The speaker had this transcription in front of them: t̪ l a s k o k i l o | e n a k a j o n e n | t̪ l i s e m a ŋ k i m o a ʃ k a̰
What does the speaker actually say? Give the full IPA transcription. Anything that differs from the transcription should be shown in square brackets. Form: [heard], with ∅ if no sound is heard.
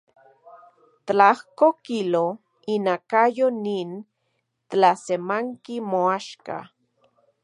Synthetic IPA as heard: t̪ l a [h] k o k i l o | [i] n a k a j o n [i] n | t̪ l [a] s e m a ŋ k i m o a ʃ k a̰